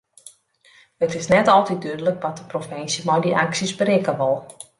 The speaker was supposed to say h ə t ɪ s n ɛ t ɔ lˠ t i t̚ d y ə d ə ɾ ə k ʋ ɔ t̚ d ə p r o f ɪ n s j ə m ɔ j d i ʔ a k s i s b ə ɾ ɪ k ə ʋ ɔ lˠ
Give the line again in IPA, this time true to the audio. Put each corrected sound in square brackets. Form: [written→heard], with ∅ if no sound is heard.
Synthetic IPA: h ə t ɪ s n ɛ t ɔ lˠ t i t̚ d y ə d ə [ɾ→l] ə k ʋ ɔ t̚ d ə p r o f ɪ n s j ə m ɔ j d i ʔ a k s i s b ə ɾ ɪ k ə ʋ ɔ lˠ